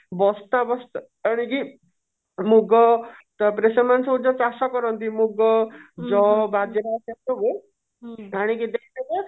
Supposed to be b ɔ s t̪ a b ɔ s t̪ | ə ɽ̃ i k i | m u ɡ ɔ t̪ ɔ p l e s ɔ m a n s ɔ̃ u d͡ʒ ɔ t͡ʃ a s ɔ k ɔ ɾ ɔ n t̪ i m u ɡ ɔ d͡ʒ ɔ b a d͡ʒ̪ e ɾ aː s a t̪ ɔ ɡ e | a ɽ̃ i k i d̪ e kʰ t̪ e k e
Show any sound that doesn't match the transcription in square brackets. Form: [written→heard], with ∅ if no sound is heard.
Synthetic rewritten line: b ɔ s t̪ a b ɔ s t̪ | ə ɽ̃ i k i | m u ɡ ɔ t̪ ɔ p [l→ɾ] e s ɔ m a n s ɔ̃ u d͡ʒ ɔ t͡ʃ a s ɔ k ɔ ɾ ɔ n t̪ i m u ɡ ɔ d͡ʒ ɔ b a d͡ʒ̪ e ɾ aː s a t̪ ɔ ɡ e | a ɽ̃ i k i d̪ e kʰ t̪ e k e